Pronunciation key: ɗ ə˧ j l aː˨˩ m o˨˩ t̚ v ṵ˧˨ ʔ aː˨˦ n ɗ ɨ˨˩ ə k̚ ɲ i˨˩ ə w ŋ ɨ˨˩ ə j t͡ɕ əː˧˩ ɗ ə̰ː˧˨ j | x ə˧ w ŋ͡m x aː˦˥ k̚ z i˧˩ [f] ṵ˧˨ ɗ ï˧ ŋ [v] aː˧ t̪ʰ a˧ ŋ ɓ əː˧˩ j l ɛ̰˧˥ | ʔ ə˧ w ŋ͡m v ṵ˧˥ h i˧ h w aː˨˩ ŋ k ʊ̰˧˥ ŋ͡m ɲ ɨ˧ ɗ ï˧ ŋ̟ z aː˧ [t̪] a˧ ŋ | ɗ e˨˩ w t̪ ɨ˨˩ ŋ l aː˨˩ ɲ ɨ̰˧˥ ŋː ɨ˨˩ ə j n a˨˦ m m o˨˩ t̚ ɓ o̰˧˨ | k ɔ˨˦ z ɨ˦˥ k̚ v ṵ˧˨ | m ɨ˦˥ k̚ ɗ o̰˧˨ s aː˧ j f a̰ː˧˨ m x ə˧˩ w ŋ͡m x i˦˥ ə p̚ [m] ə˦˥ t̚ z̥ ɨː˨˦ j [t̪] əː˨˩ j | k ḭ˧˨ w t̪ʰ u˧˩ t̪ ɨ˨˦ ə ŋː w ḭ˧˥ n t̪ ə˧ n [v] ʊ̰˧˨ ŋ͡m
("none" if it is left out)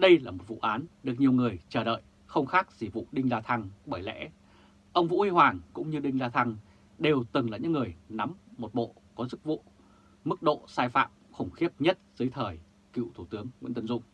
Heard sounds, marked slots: v, z, t̪ʰ, ɲ, t̪ʰ, z

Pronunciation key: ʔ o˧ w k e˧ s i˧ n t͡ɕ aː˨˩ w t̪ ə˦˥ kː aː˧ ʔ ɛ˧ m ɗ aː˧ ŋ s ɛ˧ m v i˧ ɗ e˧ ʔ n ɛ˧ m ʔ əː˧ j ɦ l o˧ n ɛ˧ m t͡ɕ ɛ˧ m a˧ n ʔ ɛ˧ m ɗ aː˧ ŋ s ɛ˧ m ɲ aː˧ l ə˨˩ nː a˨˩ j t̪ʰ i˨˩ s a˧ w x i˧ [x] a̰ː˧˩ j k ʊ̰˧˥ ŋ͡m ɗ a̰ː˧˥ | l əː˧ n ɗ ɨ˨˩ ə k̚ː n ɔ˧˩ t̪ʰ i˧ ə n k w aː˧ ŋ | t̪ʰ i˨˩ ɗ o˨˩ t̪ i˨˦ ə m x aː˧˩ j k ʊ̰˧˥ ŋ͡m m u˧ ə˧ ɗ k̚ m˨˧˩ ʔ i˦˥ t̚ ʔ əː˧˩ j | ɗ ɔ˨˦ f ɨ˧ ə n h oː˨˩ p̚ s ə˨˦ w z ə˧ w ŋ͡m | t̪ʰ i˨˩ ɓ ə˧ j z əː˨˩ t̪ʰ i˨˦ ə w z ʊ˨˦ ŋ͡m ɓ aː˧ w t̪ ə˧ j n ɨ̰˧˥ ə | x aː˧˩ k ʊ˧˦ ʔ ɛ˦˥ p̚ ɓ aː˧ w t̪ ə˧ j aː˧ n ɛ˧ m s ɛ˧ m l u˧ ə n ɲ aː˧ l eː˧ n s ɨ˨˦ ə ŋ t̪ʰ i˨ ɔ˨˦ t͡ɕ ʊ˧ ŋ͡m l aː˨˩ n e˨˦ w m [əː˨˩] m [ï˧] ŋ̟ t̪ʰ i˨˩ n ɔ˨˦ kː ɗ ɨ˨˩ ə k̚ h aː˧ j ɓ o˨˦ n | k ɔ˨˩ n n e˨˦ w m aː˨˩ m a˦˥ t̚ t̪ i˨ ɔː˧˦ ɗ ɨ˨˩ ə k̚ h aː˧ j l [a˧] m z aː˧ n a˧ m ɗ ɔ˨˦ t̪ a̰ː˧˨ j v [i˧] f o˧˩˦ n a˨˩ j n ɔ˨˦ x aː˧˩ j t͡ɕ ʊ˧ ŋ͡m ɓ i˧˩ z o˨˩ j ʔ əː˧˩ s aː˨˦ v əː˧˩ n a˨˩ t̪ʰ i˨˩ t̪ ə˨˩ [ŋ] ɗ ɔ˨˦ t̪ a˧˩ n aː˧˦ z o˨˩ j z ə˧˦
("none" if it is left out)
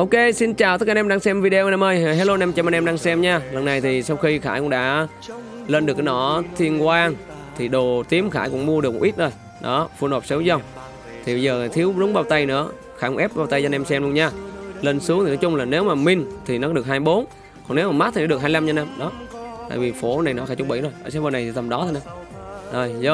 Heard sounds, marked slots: x, aː˨˩, ï˧, a˧, i˨˩, m

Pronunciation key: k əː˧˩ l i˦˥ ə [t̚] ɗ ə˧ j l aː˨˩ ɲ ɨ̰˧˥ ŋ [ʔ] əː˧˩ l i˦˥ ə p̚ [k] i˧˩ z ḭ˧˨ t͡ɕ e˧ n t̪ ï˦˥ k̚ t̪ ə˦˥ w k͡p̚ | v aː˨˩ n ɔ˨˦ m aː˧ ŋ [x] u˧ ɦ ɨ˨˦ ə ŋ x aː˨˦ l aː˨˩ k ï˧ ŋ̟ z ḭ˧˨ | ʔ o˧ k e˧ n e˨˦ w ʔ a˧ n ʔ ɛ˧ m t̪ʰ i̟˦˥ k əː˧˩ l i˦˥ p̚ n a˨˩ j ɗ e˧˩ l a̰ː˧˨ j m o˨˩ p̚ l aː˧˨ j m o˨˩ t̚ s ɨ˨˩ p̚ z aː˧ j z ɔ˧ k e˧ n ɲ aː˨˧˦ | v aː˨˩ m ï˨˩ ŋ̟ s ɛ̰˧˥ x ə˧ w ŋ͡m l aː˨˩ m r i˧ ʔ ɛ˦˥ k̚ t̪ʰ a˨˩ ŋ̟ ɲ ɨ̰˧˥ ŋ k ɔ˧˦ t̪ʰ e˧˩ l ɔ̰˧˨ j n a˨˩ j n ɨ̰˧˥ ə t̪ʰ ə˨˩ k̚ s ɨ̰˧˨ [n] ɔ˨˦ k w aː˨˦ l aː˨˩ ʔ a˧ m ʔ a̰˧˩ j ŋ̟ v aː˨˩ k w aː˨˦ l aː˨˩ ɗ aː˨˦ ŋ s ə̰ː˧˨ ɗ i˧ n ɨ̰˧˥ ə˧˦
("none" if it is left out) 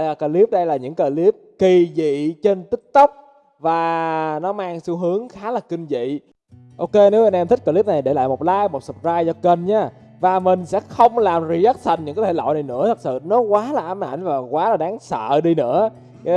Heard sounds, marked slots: p̚, k, k, s, n

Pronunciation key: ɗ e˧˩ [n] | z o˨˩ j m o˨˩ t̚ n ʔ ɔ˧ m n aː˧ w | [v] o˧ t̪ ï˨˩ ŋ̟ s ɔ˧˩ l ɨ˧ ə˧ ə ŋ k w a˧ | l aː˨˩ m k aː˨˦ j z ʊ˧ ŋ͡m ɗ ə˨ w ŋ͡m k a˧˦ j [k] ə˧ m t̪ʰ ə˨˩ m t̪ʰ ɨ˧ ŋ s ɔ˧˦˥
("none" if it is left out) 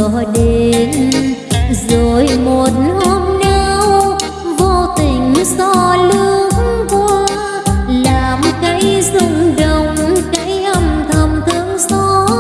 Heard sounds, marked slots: n, v, ʔ

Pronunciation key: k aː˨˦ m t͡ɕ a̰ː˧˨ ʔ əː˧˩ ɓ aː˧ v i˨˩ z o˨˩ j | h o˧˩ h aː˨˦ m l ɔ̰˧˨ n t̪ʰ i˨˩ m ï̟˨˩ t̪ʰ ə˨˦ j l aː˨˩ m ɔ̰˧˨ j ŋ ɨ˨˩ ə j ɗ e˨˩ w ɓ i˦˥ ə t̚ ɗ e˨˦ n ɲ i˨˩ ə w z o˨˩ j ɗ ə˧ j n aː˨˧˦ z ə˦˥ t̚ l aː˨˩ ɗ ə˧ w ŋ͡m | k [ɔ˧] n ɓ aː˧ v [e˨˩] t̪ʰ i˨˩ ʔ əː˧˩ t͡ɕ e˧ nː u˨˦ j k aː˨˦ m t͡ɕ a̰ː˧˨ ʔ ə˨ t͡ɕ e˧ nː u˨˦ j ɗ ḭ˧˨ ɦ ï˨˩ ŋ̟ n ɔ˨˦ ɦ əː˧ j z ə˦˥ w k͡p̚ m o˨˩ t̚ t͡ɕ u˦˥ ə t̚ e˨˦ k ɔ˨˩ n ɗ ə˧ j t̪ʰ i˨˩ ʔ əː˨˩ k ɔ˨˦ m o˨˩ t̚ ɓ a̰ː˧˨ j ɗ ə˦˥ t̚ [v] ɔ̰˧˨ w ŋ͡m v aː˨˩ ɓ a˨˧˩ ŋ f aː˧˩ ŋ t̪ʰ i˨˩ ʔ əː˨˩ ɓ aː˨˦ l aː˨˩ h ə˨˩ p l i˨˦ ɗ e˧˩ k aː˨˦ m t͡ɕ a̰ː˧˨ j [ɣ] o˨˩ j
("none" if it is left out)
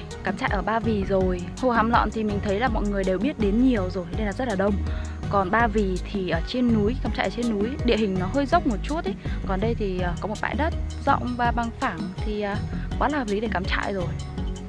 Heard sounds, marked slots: ɔ˨˩, i˨˩, z, z

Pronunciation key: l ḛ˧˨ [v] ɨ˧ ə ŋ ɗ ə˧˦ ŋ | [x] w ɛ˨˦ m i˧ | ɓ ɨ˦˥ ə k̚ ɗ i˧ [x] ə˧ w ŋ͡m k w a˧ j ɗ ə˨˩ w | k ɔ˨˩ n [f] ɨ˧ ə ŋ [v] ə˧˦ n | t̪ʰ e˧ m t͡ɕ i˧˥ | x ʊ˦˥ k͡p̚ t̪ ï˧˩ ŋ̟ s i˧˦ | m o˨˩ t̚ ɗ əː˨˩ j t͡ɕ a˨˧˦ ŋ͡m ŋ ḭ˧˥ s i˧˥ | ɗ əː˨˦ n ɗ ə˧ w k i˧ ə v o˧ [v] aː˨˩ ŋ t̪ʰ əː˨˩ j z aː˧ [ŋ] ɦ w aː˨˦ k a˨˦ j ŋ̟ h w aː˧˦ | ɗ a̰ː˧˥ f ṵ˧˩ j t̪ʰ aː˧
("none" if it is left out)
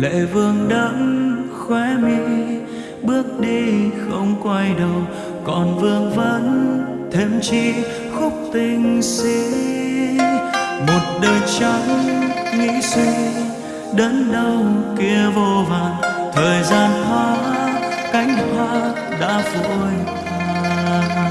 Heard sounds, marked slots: v, x, x, v, v, v, n

